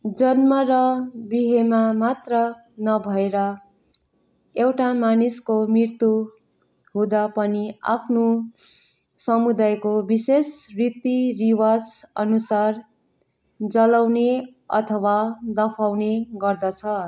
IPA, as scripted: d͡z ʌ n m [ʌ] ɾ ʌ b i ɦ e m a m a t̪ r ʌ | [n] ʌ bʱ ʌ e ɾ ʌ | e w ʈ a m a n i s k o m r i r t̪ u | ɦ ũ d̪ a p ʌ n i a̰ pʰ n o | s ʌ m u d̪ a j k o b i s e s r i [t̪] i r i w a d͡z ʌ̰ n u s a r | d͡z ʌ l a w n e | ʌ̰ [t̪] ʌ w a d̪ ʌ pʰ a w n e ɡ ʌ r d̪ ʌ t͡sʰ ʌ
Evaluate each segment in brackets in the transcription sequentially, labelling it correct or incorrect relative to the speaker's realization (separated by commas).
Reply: correct, correct, correct, incorrect